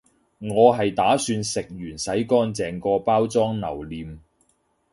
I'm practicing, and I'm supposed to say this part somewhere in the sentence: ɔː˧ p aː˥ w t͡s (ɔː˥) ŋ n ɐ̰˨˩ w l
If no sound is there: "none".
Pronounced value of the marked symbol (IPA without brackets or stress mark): ɔː˥